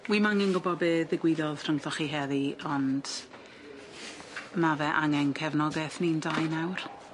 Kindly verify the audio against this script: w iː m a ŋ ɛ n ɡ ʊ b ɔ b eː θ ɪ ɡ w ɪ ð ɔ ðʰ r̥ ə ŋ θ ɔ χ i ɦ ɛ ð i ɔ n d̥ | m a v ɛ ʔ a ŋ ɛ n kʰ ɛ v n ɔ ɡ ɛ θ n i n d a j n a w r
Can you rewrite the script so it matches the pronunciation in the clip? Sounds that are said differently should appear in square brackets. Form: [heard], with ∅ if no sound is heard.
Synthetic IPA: w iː m a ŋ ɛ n ɡ ʊ b ɔ b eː [ð] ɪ ɡ w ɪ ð ɔ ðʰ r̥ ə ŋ θ ɔ χ i ɦ ɛ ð i ɔ n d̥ | m a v ɛ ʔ a ŋ ɛ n kʰ ɛ v n ɔ ɡ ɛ θ n i n d a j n a w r

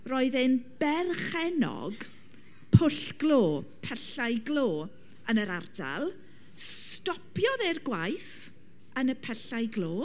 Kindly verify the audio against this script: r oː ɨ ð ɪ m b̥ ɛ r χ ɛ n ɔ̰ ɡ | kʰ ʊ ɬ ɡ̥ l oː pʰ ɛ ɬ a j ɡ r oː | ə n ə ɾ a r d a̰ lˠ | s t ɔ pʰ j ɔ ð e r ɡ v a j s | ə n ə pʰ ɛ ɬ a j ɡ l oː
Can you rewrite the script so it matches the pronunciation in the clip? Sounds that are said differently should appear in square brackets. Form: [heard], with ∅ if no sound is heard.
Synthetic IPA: r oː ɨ ð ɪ [n] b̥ ɛ r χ ɛ n ɔ̰ ɡ | [pʰ] ʊ ɬ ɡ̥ l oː pʰ ɛ ɬ a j ɡ [l] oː | ə n ə ɾ a r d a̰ lˠ | s t ɔ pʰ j ɔ ð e r ɡ [w] a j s | ə n ə pʰ ɛ ɬ a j ɡ l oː

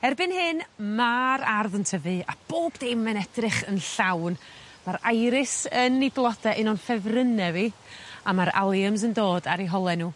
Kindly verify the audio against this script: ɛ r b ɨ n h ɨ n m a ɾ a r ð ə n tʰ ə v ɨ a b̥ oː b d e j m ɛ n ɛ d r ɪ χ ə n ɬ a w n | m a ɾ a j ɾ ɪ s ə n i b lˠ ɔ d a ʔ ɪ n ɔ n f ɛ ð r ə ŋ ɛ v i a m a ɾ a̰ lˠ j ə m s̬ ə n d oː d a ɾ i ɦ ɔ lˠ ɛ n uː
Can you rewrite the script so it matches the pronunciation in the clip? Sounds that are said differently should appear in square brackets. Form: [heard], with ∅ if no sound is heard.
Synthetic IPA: ɛ r b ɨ n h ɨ n m a ɾ a r ð ə n tʰ ə v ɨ a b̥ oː b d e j m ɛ n ɛ d r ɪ χ ə n ɬ a w n | m a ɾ a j ɾ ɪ s ə n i b lˠ ɔ d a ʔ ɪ n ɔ n f ɛ [v] r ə [n] ɛ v i a m a ɾ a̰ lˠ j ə m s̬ ə n d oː d a ɾ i ɦ ɔ lˠ ɛ n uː

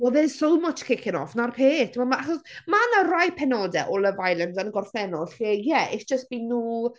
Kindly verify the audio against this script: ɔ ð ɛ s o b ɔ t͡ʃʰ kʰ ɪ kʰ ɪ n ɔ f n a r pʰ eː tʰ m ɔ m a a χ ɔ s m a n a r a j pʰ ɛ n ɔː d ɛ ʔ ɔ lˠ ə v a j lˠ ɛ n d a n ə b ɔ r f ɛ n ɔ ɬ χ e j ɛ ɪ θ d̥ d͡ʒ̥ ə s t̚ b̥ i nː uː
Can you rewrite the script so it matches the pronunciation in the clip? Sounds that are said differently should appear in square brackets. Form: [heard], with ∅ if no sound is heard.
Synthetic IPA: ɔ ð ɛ s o [m] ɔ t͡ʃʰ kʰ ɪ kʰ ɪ n ɔ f n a r pʰ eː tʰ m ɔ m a a χ ɔ s m a n a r a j pʰ ɛ n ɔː d ɛ ʔ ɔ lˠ ə v a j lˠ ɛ n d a n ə [ɡ] ɔ r f ɛ n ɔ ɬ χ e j ɛ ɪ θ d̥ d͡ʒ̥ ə s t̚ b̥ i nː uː

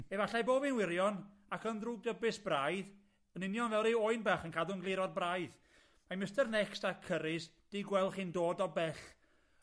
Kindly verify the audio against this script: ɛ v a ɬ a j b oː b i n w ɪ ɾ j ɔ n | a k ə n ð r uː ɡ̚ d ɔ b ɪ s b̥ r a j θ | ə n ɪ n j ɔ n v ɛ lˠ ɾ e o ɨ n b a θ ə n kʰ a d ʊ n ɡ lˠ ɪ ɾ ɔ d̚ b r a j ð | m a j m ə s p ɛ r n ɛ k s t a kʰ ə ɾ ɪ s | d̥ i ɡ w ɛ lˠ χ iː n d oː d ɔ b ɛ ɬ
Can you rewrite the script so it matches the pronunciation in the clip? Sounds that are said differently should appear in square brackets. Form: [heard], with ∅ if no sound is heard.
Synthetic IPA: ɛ v a ɬ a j b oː b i n w ɪ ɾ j ɔ n | a k ə n ð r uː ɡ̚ d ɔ b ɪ s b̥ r a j [ð] | ə n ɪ n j ɔ n v ɛ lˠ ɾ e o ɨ n b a [χ] ə n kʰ a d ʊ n ɡ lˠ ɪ ɾ ɔ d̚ b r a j ð | m a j m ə s [t] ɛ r n ɛ k s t a kʰ ə ɾ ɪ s | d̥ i ɡ w ɛ lˠ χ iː n d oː d ɔ b ɛ ɬ

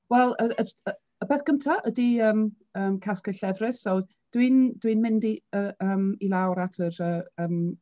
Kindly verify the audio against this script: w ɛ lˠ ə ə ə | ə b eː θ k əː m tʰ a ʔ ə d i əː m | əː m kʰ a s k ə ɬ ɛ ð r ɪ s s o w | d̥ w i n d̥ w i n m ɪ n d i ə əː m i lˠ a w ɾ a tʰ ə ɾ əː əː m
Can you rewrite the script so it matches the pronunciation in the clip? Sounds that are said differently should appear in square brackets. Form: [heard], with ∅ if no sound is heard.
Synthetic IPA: w ɛ lˠ ə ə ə | ə b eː θ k [ə] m tʰ a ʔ ə d i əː m | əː m kʰ a s k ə ɬ ɛ [v] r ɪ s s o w | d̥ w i n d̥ w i n m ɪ n d i ə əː m i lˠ a w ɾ a tʰ ə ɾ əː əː m

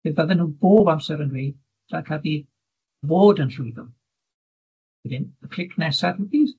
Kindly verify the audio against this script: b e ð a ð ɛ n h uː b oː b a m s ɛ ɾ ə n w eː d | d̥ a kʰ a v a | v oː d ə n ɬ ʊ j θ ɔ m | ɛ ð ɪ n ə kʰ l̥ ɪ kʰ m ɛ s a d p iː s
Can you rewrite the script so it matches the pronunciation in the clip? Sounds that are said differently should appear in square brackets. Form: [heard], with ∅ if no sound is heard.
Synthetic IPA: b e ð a ð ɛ n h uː b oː b a m s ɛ ɾ ə n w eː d | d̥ a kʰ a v [i] | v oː d ə n ɬ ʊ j [ð] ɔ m | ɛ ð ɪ n ə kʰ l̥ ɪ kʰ [n] ɛ s a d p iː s

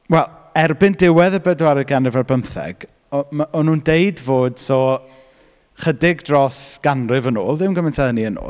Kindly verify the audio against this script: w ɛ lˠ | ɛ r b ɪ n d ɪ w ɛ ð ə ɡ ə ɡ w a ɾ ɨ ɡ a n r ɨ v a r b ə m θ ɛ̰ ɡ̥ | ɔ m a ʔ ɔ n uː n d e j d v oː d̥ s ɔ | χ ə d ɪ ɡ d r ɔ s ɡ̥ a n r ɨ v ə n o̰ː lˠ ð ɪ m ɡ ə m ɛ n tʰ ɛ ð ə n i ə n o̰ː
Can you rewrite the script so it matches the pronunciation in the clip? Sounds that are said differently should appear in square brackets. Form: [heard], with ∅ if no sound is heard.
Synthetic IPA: w ɛ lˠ | ɛ r b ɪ n d ɪ w ɛ ð ə [b] ə [d] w a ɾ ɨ ɡ a n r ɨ v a r b ə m θ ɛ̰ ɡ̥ | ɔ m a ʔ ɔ n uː n d e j d v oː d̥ s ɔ | χ ə d ɪ ɡ d r ɔ s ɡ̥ a n r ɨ v ə n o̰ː lˠ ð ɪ m ɡ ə m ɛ n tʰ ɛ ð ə n i ə n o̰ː

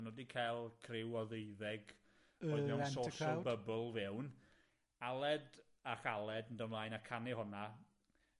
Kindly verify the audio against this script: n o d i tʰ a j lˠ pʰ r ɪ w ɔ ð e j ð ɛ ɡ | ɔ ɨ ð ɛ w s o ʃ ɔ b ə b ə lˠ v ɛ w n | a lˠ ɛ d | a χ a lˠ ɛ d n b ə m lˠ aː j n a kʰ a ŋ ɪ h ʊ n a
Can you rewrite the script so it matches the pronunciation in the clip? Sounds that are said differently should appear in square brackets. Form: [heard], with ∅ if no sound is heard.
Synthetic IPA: n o d i [kʰ] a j lˠ [kʰ] r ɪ w ɔ ð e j ð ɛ ɡ | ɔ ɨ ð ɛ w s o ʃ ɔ b ə b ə lˠ v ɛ w n | a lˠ ɛ d | a χ a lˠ ɛ d n [d] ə m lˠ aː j n a kʰ a [n] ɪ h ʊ n a

